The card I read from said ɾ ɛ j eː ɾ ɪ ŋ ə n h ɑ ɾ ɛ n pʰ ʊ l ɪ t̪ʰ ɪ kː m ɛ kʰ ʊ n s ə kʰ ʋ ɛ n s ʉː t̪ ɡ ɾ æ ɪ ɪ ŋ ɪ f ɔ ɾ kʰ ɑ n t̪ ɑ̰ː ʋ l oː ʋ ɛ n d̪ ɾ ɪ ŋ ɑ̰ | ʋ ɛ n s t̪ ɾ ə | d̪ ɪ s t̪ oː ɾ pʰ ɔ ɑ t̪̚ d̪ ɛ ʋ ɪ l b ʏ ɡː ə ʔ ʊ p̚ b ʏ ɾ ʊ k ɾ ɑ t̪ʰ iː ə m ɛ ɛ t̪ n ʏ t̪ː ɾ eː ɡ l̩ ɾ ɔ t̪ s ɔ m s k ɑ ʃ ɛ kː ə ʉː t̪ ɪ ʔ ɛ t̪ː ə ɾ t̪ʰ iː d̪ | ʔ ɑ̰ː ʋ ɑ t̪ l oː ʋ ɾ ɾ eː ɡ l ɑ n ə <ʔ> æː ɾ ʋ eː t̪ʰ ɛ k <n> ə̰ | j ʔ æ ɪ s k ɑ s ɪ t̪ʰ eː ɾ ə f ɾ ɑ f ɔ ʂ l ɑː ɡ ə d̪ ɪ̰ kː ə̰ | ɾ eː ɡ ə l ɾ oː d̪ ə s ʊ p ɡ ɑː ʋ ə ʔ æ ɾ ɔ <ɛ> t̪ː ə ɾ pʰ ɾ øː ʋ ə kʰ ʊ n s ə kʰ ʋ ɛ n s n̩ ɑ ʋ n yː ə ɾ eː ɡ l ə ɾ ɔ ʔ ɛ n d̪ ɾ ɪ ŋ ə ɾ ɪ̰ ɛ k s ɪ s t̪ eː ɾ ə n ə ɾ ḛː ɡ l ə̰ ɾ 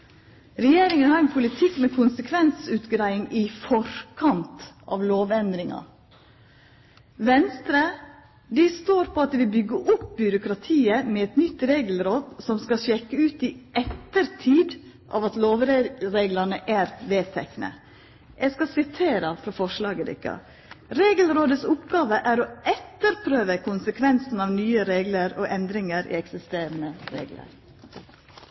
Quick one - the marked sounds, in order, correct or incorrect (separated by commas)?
correct, correct, correct